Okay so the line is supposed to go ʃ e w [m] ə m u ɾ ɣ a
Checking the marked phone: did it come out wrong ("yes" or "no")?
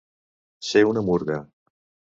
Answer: yes